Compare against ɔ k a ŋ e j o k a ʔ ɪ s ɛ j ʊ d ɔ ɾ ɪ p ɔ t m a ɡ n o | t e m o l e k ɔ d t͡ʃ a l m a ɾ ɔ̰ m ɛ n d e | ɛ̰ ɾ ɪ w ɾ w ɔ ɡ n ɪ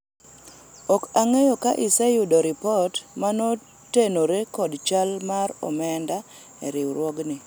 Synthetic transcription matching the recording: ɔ k a ŋ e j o k a ʔ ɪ s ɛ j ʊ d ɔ ɾ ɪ p ɔ t m a n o | t e n o ɾ e k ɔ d t͡ʃ a l m a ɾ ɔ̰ m ɛ n d a | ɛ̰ ɾ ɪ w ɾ w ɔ ɡ n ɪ